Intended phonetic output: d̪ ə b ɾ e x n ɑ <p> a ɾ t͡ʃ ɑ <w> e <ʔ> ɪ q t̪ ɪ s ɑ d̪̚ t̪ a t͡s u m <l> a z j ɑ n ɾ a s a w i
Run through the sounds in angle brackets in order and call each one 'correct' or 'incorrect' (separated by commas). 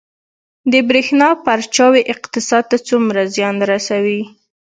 correct, correct, correct, incorrect